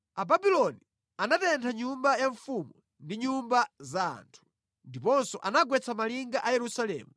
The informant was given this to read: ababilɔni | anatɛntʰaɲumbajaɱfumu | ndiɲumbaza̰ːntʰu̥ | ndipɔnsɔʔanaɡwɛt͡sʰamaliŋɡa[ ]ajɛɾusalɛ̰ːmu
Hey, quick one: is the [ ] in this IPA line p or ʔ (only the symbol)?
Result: ʔ